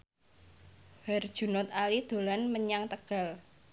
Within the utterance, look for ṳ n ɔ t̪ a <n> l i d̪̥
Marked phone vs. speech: incorrect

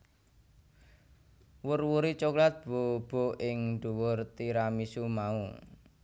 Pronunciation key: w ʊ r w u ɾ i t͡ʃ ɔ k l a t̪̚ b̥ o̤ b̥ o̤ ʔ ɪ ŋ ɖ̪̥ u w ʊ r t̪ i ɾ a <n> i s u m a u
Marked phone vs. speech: incorrect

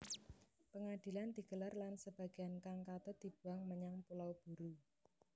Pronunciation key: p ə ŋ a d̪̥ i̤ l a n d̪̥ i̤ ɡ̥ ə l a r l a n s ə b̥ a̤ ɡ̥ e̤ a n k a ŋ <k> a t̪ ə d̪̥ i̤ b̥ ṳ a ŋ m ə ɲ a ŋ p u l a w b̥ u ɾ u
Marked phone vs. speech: correct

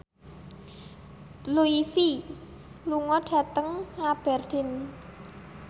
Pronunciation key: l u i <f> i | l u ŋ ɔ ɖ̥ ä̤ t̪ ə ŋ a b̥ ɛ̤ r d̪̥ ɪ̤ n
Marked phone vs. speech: correct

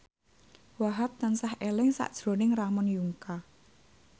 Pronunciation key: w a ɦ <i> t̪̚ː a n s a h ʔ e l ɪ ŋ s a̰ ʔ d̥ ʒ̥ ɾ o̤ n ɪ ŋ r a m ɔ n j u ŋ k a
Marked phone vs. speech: incorrect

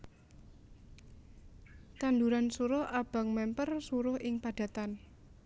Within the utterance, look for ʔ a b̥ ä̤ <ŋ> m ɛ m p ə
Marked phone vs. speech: correct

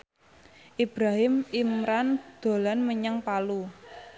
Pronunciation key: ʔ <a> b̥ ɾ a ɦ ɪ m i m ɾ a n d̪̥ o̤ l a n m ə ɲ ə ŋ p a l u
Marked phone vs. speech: incorrect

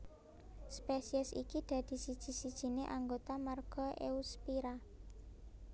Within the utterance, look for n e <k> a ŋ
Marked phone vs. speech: incorrect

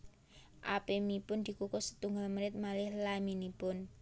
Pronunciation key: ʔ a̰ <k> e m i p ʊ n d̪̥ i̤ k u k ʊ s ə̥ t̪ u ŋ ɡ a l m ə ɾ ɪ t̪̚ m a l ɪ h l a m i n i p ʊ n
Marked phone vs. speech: incorrect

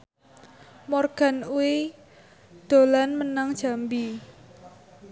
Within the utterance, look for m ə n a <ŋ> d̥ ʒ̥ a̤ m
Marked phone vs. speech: correct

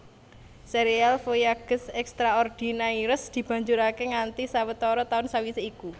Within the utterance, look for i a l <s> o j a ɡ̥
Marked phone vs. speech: incorrect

